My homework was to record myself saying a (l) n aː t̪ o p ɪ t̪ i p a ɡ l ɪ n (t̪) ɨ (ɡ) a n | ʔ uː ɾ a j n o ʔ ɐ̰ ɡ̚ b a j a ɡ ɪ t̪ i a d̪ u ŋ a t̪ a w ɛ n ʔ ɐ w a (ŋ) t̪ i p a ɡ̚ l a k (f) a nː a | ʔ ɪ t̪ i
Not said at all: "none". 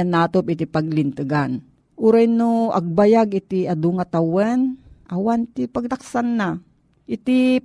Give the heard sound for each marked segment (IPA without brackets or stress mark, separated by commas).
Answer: none, t̪, ɡ, n, s